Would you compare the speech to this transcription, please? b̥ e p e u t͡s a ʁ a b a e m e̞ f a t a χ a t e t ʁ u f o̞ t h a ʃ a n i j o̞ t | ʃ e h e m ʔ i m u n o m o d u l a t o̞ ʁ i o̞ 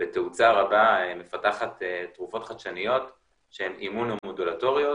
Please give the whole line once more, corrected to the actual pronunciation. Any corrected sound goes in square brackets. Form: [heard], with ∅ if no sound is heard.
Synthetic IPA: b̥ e [t] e u t͡s a ʁ a b a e m e̞ f a t a χ a t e t ʁ u f o̞ t [χ] a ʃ a n i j o̞ t | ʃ e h e m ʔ i m u n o m o d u l a t o̞ ʁ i o̞